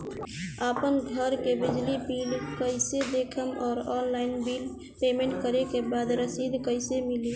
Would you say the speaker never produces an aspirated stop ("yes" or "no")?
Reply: no